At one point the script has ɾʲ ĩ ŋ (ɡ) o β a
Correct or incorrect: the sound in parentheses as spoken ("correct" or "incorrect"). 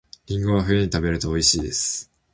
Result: correct